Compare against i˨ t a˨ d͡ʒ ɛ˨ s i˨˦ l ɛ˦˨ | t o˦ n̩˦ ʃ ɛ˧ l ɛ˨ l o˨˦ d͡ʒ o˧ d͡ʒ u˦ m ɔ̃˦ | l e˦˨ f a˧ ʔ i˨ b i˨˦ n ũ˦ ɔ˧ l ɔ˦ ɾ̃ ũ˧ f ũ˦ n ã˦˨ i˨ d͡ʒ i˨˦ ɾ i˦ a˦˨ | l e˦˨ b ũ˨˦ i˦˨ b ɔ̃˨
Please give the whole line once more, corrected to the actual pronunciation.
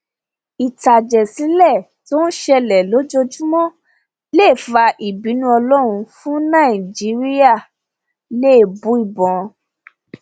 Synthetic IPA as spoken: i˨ t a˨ d͡ʒ ɛ˨ s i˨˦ l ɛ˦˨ | t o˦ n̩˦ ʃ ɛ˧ l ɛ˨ l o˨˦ d͡ʒ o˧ d͡ʒ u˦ m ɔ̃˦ | l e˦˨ f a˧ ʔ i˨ b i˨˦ n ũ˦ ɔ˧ l ɔ˦ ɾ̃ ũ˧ f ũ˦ n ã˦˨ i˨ d͡ʒ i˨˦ ɾ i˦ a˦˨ | l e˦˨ b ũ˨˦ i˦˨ b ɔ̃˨

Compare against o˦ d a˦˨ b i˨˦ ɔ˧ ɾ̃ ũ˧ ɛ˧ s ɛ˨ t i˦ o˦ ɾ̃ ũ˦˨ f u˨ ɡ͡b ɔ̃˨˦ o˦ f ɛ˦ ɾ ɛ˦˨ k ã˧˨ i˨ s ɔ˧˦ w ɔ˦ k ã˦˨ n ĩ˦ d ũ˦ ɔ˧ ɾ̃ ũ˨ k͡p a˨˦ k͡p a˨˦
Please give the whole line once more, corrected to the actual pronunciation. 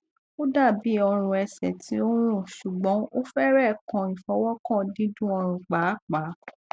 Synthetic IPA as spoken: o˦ d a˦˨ b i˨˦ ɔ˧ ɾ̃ ũ˧ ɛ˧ s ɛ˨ t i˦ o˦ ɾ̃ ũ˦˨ ʃ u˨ ɡ͡b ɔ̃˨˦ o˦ f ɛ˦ ɾ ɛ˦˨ k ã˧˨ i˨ f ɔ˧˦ w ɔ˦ k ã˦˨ d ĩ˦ d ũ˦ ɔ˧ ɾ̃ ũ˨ k͡p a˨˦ k͡p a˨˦

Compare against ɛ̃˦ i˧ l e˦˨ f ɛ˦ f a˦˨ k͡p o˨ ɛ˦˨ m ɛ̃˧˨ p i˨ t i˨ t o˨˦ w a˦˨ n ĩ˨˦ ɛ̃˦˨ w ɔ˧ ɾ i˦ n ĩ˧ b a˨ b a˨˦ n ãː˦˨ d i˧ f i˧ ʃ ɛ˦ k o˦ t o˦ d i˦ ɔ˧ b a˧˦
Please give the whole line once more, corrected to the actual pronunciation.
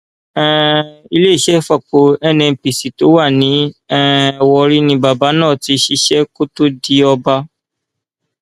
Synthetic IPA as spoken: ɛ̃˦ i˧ l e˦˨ ʃ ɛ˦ f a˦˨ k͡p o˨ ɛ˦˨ n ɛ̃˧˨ p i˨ s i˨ t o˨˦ w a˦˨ n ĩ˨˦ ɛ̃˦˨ w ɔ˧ ɾ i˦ n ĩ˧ b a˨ b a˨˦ n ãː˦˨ t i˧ ʃ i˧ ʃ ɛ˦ k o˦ t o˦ d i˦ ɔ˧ b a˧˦

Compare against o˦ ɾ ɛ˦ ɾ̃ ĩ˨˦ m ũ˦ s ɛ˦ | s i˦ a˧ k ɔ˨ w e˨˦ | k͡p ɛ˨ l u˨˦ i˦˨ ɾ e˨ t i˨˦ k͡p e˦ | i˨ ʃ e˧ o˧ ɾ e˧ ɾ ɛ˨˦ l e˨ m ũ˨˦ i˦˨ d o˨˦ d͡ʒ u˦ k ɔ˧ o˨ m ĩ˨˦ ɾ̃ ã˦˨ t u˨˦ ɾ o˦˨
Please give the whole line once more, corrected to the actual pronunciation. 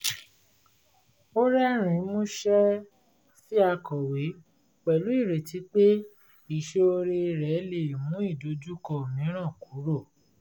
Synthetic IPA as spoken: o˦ ɾ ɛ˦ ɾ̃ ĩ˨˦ m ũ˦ ʃ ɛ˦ | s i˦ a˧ k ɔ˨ w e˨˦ | k͡p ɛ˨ l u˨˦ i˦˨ ɾ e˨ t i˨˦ k͡p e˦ | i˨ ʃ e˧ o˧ ɾ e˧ ɾ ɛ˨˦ l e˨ m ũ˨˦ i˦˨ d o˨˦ d͡ʒ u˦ k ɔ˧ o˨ m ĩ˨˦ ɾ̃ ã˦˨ k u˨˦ ɾ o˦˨

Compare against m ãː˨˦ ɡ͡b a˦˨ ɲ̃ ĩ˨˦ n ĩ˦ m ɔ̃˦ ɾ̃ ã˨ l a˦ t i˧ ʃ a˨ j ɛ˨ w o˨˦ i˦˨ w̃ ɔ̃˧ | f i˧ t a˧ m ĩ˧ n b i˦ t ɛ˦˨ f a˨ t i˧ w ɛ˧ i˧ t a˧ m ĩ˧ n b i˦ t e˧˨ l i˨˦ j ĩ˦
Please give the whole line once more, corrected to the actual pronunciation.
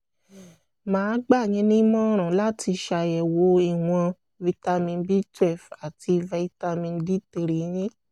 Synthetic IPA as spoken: m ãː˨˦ ɡ͡b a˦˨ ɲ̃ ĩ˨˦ n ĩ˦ m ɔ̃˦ ɾ̃ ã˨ l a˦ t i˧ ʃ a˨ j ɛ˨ w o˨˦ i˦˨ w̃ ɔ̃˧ | v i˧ t a˧ m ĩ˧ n b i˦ t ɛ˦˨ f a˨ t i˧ v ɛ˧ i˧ t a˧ m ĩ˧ n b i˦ t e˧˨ ɾ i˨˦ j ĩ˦

